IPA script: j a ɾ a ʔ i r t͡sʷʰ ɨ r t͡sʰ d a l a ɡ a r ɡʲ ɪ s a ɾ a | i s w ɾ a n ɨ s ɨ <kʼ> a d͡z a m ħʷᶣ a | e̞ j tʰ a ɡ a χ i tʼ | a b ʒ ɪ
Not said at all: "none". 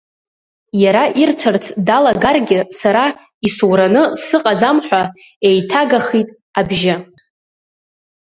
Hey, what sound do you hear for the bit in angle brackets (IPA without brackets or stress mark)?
qʼ